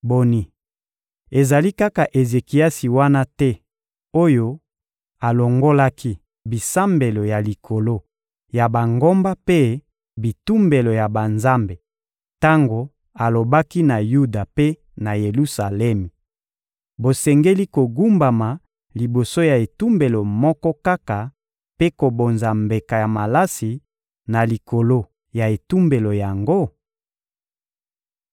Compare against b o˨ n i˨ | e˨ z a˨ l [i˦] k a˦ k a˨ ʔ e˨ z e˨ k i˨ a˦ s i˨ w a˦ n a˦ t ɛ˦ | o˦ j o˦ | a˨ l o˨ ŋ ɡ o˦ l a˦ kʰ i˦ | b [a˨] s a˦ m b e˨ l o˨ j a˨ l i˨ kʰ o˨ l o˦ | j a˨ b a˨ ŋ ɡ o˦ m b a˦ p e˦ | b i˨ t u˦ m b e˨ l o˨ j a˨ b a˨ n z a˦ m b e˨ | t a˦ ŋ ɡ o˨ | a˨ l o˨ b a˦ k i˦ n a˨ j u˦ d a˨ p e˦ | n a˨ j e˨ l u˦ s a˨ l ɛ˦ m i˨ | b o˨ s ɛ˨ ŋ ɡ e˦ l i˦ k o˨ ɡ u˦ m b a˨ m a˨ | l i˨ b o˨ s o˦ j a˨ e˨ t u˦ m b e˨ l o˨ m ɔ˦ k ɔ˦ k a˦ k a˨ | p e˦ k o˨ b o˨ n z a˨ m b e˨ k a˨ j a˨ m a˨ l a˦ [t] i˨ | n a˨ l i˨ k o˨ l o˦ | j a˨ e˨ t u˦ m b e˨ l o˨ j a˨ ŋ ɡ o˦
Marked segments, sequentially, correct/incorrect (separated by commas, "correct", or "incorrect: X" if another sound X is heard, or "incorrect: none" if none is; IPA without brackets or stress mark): correct, incorrect: i˨, incorrect: s